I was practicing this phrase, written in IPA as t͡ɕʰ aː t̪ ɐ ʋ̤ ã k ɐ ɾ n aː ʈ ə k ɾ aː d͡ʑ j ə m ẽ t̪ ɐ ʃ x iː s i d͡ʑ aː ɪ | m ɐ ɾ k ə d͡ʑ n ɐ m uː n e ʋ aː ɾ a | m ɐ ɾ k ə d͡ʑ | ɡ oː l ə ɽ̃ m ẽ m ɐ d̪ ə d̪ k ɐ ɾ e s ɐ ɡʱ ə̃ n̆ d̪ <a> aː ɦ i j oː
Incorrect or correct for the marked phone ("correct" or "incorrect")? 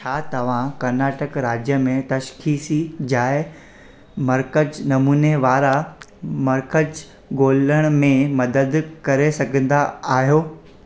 correct